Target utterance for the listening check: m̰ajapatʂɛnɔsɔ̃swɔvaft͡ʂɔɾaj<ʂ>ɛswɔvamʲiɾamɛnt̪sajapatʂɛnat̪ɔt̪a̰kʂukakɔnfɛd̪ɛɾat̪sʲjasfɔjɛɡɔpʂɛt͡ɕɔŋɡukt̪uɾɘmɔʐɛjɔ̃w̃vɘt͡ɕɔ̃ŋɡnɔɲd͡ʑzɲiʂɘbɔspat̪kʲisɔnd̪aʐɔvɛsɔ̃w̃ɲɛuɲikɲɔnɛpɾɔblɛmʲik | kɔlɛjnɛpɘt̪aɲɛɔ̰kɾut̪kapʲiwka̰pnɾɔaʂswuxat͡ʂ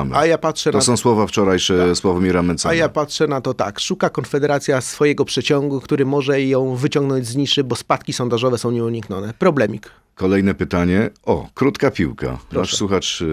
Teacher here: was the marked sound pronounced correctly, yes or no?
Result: yes